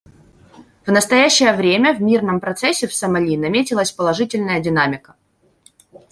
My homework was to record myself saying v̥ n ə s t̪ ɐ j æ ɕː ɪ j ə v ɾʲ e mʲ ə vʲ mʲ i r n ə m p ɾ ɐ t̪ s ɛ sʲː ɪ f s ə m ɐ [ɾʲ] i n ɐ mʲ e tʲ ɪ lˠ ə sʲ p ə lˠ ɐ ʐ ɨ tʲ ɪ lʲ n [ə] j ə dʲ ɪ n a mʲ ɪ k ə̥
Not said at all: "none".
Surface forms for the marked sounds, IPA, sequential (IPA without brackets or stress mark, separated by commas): lʲ, ə